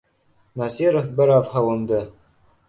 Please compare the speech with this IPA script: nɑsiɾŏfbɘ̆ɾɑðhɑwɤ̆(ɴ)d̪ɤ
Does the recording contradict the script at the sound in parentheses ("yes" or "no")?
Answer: yes